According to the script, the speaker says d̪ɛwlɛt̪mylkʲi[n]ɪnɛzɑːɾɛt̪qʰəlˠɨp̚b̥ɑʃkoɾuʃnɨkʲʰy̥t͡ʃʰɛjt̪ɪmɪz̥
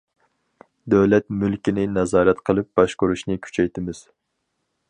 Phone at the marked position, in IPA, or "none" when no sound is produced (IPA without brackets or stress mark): n